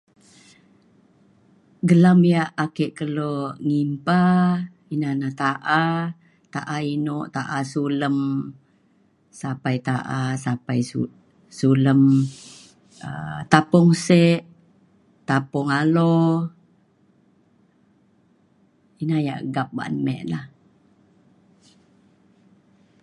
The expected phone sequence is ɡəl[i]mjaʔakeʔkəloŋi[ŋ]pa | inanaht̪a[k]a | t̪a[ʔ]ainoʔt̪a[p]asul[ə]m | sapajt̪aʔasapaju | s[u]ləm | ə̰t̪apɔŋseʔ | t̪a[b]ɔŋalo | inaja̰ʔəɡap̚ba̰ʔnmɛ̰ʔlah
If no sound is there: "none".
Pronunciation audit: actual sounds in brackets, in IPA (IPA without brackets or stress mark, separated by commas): a, m, ʔ, ʔ, ʔ, ə, u, p